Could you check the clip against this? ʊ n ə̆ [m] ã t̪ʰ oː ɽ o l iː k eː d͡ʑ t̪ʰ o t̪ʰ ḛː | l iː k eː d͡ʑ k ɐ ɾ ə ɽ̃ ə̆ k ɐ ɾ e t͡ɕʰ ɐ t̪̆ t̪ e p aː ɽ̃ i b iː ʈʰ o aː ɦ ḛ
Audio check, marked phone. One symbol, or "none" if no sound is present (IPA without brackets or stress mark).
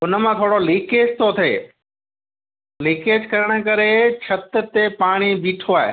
m